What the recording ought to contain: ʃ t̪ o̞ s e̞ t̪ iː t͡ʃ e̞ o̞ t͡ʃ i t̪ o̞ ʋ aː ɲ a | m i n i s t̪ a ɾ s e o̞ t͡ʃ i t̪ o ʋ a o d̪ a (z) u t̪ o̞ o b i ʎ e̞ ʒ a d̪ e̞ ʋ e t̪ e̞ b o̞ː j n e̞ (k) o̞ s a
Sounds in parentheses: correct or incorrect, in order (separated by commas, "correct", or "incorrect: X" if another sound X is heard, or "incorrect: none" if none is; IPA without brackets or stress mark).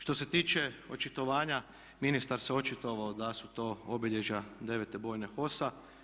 incorrect: s, incorrect: x